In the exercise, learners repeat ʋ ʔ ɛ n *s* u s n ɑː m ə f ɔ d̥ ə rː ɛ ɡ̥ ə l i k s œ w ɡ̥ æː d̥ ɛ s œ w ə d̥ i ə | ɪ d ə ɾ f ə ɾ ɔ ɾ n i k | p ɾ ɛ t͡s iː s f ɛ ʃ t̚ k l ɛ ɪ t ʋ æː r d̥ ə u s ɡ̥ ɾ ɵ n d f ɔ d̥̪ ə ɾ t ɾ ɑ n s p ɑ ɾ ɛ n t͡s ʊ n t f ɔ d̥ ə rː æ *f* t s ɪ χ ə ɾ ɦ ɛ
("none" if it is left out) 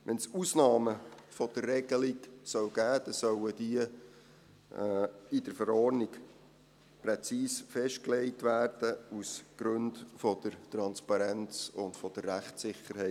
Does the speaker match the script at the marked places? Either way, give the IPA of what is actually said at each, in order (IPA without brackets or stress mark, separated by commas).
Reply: s, χ